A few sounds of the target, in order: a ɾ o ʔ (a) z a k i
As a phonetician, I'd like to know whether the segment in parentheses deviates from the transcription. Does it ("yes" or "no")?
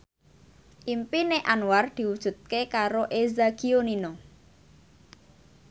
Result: yes